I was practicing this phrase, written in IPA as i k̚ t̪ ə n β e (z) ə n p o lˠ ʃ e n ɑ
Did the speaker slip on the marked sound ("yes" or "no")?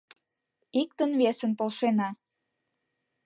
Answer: yes